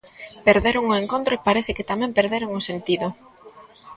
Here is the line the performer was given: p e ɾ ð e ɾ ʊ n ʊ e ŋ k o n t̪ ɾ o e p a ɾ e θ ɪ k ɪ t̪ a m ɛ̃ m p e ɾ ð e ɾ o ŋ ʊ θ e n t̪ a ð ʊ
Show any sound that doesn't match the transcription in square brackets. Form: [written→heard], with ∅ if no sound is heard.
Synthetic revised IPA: p e ɾ ð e ɾ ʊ [n→ŋ] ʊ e ŋ k o n t̪ ɾ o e p a ɾ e θ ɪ k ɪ t̪ a m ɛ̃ m p e ɾ ð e ɾ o ŋ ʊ [θ→s] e n t̪ [a→i] ð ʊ